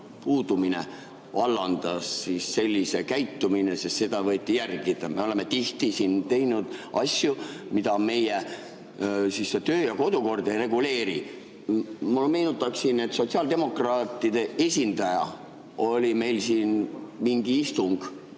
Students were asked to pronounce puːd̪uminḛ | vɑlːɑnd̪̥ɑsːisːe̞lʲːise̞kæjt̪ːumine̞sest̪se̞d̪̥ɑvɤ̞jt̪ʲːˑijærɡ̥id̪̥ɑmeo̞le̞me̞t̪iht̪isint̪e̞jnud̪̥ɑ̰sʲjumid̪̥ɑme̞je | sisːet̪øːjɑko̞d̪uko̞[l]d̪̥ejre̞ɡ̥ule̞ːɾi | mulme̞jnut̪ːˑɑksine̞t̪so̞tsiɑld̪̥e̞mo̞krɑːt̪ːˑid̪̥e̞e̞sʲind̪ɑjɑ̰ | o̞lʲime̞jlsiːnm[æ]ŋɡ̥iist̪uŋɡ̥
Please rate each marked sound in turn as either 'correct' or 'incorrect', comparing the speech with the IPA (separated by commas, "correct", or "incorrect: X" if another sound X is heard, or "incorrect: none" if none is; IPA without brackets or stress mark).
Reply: incorrect: r, incorrect: i